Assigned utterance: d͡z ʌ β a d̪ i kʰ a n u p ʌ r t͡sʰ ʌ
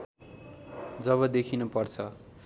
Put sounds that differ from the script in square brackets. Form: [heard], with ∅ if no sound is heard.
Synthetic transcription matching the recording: d͡z ʌ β [ʌ] d̪ [e] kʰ [i] n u p ʌ r t͡sʰ ʌ